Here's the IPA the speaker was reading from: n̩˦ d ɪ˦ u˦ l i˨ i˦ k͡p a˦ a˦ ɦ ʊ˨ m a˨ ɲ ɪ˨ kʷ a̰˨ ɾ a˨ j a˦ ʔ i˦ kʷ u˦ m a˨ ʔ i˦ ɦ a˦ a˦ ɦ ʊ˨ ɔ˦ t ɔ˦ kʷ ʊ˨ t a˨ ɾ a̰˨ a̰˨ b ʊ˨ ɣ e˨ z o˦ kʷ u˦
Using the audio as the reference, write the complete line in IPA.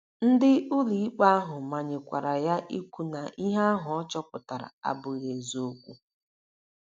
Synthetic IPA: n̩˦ d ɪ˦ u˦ l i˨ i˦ k͡p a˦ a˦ ɦ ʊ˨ m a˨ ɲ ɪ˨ kʷ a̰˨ ɾ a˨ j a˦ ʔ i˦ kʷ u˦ n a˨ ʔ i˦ ɦ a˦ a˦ ɦ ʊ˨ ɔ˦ t͡ʃ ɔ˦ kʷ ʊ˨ t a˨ ɾ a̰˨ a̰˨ b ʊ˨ ɣ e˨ z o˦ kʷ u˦